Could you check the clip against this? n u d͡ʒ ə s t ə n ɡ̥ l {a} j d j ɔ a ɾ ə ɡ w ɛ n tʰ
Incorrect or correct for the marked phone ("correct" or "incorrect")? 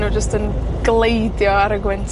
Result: incorrect